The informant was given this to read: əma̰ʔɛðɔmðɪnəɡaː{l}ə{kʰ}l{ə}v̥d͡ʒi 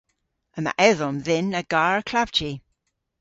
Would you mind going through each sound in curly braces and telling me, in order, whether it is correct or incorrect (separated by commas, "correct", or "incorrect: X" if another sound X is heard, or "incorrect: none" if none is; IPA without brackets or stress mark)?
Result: incorrect: ɹ, correct, incorrect: a